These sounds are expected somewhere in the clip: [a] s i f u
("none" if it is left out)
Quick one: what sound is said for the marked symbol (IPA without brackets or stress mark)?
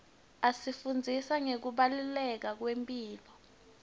a